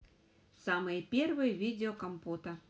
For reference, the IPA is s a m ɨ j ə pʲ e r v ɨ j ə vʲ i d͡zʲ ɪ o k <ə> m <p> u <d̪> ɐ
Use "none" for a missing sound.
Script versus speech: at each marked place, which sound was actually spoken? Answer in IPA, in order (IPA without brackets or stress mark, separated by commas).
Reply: ɐ, p, t̪